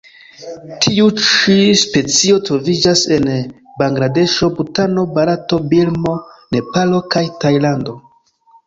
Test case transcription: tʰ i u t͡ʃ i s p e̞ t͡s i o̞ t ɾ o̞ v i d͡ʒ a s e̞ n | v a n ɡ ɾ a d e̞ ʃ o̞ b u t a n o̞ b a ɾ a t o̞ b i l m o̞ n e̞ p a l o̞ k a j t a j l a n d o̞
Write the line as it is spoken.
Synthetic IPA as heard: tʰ i u t͡ʃ i s p e̞ t͡s i o̞ t ɾ o̞ v i d͡ʒ a s e̞ n | b a ŋ ɡ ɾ a d e̞ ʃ o̞ b u t a n o̞ b a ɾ a t o̞ b i l m o̞ n e̞ p a l o̞ k a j t a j l a n d o̞